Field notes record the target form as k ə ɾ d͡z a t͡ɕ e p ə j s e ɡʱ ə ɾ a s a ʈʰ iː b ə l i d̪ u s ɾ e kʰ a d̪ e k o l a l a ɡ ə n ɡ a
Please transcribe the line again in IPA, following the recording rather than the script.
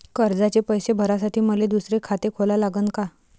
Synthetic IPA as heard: k ə ɾ d͡z a t͡ɕ e p ə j s e bʱ ə ɾ a s a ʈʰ iː m ə l e d̪ u s ɾ e kʰ a t̪ e kʰ o l a l a ɡ ə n k a